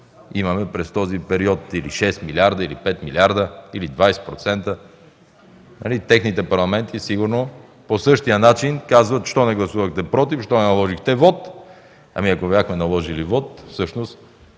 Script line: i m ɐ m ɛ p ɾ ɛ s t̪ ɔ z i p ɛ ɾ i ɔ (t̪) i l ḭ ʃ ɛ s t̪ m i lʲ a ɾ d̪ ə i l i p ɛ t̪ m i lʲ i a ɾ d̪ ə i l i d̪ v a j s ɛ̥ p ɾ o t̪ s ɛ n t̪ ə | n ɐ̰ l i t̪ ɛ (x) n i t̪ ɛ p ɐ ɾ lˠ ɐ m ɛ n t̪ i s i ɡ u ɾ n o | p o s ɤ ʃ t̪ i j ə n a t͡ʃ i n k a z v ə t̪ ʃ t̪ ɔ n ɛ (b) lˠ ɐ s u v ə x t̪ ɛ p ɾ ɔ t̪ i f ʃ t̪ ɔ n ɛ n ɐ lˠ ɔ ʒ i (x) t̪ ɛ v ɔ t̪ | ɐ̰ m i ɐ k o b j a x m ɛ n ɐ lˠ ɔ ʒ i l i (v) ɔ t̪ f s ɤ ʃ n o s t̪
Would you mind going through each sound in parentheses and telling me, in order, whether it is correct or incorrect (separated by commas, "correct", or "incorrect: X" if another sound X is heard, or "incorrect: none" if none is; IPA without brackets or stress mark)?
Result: correct, correct, incorrect: ɡ, correct, correct